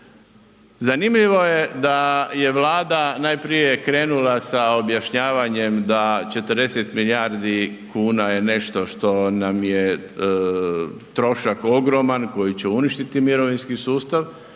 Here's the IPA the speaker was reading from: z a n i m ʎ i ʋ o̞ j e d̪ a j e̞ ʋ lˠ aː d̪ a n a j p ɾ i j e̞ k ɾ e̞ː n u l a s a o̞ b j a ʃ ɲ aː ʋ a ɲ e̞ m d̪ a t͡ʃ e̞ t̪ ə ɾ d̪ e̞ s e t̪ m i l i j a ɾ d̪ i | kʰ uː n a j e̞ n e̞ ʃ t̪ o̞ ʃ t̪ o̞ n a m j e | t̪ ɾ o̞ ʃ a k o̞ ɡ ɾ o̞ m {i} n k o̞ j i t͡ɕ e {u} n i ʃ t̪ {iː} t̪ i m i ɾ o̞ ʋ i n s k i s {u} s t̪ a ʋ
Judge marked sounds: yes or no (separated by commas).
no, yes, no, no